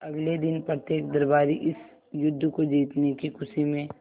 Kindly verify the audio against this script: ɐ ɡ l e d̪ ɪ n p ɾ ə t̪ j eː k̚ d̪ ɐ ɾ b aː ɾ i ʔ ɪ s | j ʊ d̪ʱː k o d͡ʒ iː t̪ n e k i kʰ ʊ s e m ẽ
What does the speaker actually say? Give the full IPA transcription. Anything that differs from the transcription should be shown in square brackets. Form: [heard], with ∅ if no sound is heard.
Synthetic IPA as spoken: ɐ ɡ l e d̪ ɪ n p ɾ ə t̪ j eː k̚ d̪ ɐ ɾ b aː ɾ i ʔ ɪ s | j ʊ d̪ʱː k o d͡ʒ iː t̪ n e k i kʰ ʊ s [i] m ẽ